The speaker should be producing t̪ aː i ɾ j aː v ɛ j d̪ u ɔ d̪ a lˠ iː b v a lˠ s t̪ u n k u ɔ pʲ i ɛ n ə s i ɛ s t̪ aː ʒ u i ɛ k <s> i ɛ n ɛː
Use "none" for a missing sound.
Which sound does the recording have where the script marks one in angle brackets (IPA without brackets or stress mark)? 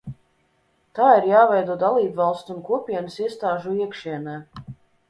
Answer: ʃ